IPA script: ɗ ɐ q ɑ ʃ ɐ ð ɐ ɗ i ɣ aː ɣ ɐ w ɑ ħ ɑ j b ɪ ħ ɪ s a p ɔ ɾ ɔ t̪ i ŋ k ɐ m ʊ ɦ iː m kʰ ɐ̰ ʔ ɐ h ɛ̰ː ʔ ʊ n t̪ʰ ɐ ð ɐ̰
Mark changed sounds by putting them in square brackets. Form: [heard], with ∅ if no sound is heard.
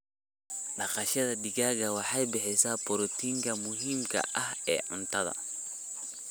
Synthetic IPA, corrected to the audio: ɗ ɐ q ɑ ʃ ɐ ð ɐ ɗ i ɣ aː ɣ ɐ w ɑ ħ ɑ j b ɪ ħ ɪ s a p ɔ ɾ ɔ t̪ i ŋ k ɐ m ʊ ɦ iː m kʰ ɐ̰ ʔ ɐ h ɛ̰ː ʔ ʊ n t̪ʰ ɐ ð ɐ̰